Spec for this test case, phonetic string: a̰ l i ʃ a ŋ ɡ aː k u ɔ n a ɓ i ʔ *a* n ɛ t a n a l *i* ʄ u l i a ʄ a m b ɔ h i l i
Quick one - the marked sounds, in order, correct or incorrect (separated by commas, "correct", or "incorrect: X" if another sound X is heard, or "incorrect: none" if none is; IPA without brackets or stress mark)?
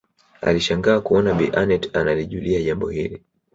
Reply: correct, correct